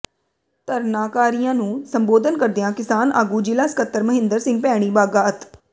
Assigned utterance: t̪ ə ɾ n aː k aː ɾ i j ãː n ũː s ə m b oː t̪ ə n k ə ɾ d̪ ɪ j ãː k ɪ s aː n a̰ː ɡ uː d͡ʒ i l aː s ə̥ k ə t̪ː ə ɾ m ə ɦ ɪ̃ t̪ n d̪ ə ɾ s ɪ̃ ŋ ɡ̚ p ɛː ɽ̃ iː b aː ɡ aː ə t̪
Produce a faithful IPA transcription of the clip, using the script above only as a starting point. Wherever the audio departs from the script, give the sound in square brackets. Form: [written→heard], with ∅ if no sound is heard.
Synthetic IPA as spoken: t̪ ə ɾ n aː k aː ɾ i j ãː n ũː s ə m b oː [t̪→d̪] ə n k ə ɾ d̪ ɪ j ãː k ɪ s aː n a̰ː ɡ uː d͡ʒ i l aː s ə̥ k ə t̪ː ə ɾ m ə ɦ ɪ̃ [t̪→∅] n d̪ ə ɾ s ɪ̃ ŋ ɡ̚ p ɛː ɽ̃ iː b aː ɡ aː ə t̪